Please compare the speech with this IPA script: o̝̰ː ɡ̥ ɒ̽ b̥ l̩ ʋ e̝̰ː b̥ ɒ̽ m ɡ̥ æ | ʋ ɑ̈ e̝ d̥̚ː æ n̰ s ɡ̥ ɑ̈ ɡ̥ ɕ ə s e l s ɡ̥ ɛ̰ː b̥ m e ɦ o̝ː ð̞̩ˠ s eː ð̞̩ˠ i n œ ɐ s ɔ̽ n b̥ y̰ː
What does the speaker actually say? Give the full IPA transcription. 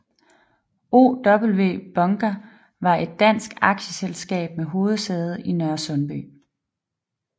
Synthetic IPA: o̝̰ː d̥ ɒ̽ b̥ l̩ ʋ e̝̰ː b̥ ɒ̽ ŋ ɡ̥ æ | ʋ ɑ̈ e̝ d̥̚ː æ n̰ s ɡ̥ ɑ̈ ɡ̥ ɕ ə s e l s ɡ̥ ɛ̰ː b̥ m e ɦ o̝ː ð̞̩ˠ s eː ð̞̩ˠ i n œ ɐ s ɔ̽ n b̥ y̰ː